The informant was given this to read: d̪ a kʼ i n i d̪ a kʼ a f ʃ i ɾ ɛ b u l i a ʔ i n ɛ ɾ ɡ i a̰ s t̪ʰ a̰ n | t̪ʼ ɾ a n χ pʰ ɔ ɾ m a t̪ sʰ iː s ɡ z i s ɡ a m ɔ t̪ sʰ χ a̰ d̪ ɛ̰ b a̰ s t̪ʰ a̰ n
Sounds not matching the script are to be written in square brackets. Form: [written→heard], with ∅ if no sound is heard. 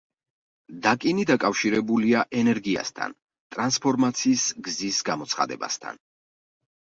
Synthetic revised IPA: d̪ a kʼ i n i d̪ a kʼ a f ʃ i ɾ ɛ b u l i a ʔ [i→ɛ] n ɛ ɾ ɡ i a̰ s t̪ʰ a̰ n | t̪ʼ ɾ a n [χ→s] pʰ ɔ ɾ m a t̪ sʰ iː s ɡ z i s ɡ a m ɔ t̪ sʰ χ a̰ d̪ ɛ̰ b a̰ s t̪ʰ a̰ n

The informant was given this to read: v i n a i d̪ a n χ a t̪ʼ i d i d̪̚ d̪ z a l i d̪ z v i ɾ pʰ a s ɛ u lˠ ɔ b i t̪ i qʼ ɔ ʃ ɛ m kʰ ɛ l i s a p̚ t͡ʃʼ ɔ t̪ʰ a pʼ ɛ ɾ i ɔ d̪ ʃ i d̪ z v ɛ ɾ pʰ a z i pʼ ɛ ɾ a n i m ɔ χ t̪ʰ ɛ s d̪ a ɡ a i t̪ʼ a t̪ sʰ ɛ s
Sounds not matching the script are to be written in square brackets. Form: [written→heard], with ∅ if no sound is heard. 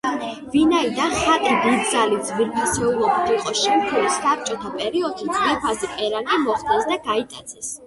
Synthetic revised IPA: v i n a i d̪ a n χ a t̪ʼ i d i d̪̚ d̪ z a l i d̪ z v i ɾ pʰ a s ɛ u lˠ ɔ b i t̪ i qʼ ɔ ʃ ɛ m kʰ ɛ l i s a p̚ t͡ʃʼ ɔ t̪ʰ a pʼ ɛ ɾ i ɔ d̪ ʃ i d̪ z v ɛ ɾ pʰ a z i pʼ ɛ ɾ a n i m ɔ χ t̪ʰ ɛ s d̪ a ɡ a i t̪ʼ a t̪ sʰ ɛ s

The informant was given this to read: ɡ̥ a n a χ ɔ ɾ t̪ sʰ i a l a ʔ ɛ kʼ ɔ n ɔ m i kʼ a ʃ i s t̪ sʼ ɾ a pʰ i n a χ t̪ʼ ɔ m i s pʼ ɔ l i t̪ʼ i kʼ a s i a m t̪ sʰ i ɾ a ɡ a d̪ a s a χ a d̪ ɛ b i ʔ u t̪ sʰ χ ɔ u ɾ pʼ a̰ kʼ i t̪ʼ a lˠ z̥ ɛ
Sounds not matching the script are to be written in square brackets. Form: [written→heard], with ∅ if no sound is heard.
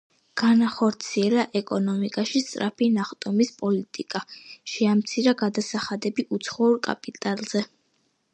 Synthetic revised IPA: ɡ̥ a n a χ ɔ ɾ t̪ sʰ i [a→ɛ] l a ʔ ɛ kʼ ɔ n ɔ m i kʼ a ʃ i s t̪ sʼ ɾ a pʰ i n a χ t̪ʼ ɔ m i s pʼ ɔ l i t̪ʼ i kʼ a [s→ʃ] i a m t̪ sʰ i ɾ a ɡ a d̪ a s a χ a d̪ ɛ b i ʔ u t̪ sʰ χ ɔ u ɾ [pʼ→kʼ] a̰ [kʼ→pʼ] i t̪ʼ a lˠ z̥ ɛ

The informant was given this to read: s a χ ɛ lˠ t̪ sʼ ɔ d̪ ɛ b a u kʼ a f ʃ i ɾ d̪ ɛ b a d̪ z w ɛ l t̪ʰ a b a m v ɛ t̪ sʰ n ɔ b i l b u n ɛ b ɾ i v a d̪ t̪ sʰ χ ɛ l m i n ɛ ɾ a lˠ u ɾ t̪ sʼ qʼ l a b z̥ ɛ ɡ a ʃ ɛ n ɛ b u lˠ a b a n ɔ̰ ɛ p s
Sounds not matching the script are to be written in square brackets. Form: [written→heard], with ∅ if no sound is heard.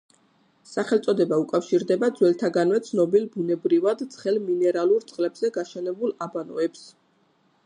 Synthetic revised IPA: s a χ ɛ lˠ t̪ sʼ ɔ d̪ ɛ b a u kʼ a f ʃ i ɾ d̪ ɛ b a d̪ z w ɛ l t̪ʰ a [b→ɡ] a [m→n] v ɛ t̪ sʰ n ɔ b i l b u n ɛ b ɾ i v a d̪ t̪ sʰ χ ɛ l m i n ɛ ɾ a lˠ u ɾ t̪ sʼ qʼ l [a→ɛ] b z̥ ɛ ɡ a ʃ ɛ n ɛ b u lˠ a b a n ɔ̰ ɛ p s

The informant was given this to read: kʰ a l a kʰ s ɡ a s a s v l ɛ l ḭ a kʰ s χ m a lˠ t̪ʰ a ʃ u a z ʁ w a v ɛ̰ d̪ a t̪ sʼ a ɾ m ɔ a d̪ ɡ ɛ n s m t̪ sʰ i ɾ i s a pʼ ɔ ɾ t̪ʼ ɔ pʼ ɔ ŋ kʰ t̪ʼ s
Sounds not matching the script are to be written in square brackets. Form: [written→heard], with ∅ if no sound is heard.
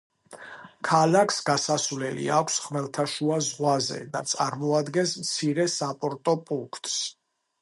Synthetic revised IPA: kʰ a l a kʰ s ɡ a s a s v l ɛ l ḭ a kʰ s χ m [a→ɛ] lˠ t̪ʰ a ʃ u a z ʁ w a [v→z] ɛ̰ d̪ a t̪ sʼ a ɾ m ɔ a d̪ ɡ ɛ n s m t̪ sʰ i ɾ [i→ɛ] s a pʼ ɔ ɾ t̪ʼ ɔ pʼ [ɔ→u] ŋ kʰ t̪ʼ s

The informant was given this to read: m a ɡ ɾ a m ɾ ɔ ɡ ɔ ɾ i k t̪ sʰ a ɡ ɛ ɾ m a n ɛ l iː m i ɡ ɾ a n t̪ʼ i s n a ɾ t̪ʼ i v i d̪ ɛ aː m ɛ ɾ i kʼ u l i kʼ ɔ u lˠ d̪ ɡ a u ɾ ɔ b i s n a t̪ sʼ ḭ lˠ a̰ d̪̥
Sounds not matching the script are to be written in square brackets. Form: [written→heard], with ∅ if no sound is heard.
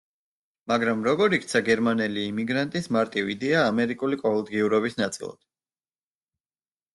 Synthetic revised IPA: m a ɡ ɾ a m ɾ ɔ ɡ ɔ ɾ i k t̪ sʰ a ɡ ɛ ɾ m a n ɛ l iː m i ɡ ɾ a n t̪ʼ i s [n→m] a ɾ t̪ʼ i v i d̪ ɛ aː m ɛ ɾ i kʼ u l i kʼ ɔ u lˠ d̪ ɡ [a→i] u ɾ ɔ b i s n a t̪ sʼ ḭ lˠ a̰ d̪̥

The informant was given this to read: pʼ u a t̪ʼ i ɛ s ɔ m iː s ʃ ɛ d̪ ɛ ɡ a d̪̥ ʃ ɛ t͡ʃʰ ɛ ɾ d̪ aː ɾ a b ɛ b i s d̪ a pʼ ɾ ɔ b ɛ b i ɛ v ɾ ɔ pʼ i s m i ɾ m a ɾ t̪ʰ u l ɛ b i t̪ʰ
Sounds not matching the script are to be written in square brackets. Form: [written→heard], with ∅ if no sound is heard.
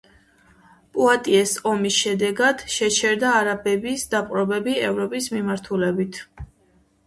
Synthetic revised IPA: pʼ u a t̪ʼ i ɛ s ɔ m [iː→i] s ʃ ɛ d̪ ɛ ɡ a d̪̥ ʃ ɛ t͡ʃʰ ɛ ɾ d̪ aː ɾ a b ɛ b i s d̪ a pʼ ɾ ɔ b ɛ b i ɛ v ɾ ɔ pʼ i s m i [ɾ→∅] m a ɾ t̪ʰ u l ɛ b i t̪ʰ

